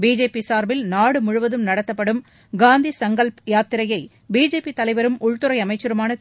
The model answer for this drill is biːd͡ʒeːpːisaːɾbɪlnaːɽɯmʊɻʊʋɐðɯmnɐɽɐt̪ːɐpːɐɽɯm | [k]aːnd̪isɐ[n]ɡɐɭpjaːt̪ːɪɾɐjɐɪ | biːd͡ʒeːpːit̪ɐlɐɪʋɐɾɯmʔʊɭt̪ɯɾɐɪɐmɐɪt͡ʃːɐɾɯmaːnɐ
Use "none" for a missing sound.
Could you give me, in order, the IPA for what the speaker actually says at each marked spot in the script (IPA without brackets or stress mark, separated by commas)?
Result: ɡ, ŋ